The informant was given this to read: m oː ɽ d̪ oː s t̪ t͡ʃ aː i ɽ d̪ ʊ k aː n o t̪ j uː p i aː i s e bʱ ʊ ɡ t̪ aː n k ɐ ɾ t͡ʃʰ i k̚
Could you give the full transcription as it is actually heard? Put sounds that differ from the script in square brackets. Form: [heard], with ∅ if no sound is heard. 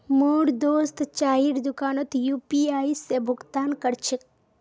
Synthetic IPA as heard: m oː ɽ d̪ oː s t̪ t͡ʃ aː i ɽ d̪ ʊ k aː n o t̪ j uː p i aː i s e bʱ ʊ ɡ t̪ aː n k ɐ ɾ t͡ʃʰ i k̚